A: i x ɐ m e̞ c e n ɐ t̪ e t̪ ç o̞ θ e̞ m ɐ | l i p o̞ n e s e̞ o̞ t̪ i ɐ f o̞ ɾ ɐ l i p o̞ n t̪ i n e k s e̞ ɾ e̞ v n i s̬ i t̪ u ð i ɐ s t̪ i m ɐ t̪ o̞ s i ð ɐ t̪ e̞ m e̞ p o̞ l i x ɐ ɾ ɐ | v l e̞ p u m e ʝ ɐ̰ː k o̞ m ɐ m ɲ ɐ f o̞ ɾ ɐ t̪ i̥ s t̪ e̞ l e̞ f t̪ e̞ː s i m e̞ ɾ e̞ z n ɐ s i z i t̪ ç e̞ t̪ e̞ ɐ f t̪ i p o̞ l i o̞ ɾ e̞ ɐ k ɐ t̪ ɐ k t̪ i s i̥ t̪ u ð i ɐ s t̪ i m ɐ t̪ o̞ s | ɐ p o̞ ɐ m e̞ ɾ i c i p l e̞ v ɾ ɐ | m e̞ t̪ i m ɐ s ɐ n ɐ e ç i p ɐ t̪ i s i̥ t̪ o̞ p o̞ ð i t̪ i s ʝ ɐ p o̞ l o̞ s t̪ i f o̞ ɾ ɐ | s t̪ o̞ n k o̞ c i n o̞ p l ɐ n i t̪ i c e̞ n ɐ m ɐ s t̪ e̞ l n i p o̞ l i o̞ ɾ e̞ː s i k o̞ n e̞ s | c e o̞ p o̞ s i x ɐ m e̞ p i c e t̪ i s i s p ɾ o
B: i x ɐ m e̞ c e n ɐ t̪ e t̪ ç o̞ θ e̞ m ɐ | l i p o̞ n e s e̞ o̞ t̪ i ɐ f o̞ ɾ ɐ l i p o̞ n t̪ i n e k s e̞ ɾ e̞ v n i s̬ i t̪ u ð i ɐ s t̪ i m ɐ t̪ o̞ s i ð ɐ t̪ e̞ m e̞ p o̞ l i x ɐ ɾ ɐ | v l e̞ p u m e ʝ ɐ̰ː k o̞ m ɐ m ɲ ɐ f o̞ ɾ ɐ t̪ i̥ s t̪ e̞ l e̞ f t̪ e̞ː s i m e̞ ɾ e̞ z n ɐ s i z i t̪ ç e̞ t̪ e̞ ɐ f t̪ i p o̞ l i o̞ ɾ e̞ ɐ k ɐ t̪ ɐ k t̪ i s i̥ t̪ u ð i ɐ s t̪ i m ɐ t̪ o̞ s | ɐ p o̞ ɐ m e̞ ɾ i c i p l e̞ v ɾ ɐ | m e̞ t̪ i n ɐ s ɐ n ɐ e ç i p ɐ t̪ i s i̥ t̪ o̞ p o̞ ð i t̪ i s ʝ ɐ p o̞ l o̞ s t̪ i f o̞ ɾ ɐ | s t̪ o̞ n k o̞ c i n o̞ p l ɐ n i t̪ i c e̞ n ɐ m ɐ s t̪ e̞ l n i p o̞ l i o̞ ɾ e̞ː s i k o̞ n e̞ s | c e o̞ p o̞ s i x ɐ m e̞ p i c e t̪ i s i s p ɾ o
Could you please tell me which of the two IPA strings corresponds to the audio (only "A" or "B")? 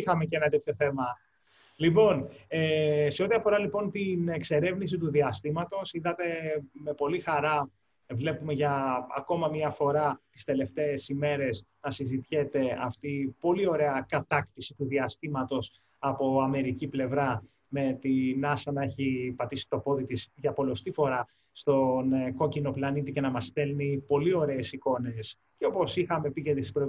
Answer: B